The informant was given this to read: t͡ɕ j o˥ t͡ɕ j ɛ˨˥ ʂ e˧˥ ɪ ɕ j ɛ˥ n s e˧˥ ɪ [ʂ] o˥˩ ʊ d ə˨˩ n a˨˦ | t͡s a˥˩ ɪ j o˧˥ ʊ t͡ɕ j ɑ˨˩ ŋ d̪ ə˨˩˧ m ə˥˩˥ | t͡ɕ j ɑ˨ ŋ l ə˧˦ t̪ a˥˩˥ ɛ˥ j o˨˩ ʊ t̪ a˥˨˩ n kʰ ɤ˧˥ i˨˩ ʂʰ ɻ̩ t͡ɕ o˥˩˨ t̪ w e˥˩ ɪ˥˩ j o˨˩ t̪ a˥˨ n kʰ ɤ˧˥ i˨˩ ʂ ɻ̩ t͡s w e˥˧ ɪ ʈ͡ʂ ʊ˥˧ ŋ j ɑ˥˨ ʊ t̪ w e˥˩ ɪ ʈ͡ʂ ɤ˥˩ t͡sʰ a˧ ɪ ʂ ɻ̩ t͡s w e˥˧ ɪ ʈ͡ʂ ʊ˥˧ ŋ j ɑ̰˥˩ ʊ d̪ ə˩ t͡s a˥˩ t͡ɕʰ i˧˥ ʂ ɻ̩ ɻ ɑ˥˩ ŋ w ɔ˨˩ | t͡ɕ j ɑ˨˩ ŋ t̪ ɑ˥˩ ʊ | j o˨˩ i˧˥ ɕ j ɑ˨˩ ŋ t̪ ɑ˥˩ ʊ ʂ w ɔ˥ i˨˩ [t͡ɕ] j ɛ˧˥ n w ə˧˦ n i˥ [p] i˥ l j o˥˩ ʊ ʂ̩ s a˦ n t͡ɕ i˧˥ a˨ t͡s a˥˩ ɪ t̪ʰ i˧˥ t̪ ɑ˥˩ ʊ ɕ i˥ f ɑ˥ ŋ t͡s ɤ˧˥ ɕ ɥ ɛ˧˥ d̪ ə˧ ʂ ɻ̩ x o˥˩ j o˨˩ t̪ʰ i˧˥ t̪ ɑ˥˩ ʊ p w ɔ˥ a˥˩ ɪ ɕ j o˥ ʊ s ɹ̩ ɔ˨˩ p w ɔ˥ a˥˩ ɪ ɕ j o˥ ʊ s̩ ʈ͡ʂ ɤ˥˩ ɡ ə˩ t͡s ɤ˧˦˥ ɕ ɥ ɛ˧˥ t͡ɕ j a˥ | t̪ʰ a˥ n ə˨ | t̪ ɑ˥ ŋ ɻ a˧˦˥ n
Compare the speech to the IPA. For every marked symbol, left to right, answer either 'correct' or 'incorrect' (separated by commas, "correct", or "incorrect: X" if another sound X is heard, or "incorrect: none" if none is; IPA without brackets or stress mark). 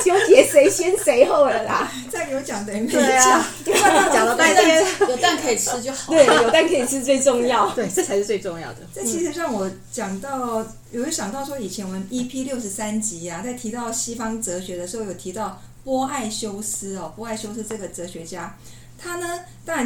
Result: incorrect: x, incorrect: t͡ɕʰ, incorrect: pʰ